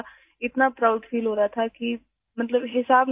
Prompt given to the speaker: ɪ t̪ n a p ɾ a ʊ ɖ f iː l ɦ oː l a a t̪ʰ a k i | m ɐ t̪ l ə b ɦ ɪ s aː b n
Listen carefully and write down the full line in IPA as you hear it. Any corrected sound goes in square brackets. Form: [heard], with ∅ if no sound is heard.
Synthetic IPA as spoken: ɪ t̪ n a p ɾ a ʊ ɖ f iː l ɦ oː [ɾ] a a t̪ʰ a k i | m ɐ t̪ l ə b ɦ ɪ s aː b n